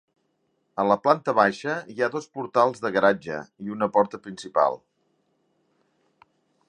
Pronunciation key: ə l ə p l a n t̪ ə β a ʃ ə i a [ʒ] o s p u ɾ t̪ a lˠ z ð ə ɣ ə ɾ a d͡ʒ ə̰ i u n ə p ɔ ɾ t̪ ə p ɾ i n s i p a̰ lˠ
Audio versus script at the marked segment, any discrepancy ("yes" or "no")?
yes